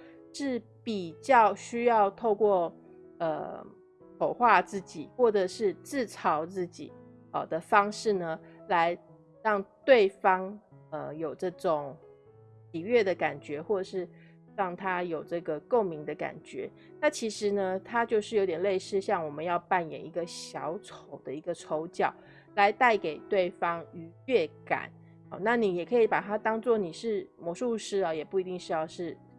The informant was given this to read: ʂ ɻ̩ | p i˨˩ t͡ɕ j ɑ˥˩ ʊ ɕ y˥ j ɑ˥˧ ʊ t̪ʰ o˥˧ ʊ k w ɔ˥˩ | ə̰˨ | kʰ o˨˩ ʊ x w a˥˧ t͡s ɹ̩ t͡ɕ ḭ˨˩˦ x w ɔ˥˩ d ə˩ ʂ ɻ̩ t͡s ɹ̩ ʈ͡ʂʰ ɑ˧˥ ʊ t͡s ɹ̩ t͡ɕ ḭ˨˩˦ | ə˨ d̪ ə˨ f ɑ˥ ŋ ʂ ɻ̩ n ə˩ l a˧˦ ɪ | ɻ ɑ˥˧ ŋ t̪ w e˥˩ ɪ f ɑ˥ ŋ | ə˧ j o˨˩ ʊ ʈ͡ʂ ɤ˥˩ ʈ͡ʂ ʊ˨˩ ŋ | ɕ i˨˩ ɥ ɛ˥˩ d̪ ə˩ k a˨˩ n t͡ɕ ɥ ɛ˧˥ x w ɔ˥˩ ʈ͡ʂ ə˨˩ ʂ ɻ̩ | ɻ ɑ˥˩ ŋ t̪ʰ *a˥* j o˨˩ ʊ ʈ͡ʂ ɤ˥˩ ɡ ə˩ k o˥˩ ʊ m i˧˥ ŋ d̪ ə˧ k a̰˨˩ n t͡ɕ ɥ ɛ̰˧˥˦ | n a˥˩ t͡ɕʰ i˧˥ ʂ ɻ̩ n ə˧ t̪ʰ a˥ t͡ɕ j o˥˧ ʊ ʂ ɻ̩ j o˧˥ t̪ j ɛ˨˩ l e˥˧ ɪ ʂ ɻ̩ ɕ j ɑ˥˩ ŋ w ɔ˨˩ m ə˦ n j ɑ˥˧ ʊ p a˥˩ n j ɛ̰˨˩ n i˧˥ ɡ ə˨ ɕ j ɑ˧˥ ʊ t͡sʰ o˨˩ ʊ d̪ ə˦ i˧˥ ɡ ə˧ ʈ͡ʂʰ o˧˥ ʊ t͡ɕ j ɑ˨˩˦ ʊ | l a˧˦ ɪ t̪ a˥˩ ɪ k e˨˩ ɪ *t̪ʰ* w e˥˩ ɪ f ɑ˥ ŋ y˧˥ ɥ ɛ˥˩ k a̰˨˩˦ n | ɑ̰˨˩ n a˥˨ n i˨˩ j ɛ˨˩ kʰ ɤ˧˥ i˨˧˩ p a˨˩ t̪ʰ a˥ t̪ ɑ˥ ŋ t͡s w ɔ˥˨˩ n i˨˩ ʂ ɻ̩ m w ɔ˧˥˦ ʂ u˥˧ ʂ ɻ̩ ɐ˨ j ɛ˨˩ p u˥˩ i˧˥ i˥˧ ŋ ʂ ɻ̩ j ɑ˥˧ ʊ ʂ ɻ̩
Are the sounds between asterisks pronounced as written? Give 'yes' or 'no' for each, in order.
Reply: yes, no

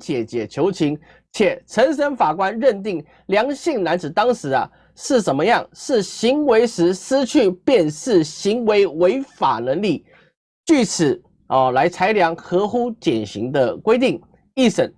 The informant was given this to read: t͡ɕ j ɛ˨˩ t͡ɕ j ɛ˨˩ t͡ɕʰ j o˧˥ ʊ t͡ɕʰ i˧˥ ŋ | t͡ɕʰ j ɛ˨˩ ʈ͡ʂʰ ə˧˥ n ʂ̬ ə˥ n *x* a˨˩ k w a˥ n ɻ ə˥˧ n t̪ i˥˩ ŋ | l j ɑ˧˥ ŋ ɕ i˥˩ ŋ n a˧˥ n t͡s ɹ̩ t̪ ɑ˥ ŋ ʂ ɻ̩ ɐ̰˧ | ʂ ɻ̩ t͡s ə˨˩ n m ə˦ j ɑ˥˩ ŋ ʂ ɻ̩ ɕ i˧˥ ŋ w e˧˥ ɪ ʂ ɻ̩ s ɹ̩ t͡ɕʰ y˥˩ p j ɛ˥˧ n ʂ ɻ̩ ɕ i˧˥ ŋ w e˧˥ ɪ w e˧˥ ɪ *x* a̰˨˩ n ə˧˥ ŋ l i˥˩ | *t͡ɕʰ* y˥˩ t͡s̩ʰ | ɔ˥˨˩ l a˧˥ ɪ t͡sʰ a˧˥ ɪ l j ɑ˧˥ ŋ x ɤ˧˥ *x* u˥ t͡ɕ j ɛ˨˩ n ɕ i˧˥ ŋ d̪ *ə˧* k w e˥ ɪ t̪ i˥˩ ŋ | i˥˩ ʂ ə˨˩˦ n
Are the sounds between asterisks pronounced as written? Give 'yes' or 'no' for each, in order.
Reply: no, no, no, yes, yes

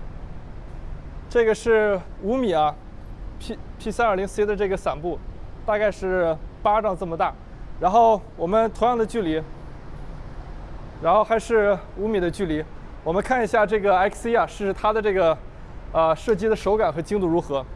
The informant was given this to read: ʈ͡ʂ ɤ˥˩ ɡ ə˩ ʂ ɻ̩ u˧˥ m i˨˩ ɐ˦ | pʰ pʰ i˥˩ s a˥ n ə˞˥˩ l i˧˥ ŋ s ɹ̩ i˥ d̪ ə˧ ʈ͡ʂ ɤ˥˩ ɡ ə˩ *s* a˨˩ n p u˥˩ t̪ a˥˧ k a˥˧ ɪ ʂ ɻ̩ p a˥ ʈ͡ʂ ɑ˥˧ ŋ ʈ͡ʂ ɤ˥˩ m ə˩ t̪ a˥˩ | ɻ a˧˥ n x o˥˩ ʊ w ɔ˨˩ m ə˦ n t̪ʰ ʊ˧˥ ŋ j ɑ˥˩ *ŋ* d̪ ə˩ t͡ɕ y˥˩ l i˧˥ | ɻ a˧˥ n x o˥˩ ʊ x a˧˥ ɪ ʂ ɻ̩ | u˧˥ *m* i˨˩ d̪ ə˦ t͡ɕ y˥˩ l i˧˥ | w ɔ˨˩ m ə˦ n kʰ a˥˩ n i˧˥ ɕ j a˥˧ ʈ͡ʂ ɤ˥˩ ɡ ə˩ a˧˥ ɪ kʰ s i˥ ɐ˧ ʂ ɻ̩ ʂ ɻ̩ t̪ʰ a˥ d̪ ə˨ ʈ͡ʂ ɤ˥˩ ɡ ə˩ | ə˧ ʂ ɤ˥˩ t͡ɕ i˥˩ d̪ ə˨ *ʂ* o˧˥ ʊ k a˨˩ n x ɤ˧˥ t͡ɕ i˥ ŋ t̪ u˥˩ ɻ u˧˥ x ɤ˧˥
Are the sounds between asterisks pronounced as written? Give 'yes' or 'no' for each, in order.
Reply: yes, yes, yes, yes

